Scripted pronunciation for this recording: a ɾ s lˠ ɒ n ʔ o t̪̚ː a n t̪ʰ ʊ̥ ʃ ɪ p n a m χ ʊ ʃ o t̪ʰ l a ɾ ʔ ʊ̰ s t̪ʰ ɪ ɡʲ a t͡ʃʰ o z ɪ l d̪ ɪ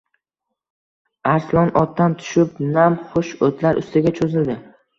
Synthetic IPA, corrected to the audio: a ɾ s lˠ ɒ n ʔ ɒ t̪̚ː a n t̪ʰ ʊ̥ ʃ ɪ p n a m χ ʊ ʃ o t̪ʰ l a ɾ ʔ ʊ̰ s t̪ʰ ɪ ɡʲ a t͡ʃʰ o z ɪ l d̪ ɪ